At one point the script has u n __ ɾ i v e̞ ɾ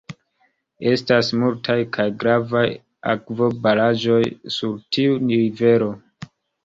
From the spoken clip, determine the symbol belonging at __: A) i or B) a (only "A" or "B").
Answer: A